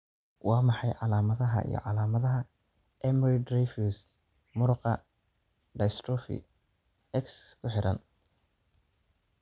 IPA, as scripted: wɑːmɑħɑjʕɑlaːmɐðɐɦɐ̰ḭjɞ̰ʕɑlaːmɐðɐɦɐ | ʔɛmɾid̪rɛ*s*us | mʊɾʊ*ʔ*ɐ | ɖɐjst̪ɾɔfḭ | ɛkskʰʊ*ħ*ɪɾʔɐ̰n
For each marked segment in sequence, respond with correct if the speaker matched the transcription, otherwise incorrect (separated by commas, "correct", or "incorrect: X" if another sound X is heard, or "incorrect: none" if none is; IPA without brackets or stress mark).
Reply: incorrect: f, incorrect: q, correct